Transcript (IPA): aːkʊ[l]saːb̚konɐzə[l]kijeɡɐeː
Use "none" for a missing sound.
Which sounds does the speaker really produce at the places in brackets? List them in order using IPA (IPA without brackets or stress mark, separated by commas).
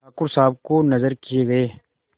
ɾ, ɾ